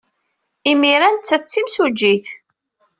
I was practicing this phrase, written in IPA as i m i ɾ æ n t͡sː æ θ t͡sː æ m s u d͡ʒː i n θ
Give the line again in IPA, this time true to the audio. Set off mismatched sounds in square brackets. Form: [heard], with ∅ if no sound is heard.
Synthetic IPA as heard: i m i ɾ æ n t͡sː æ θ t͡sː [i] m s u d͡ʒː i [∅] θ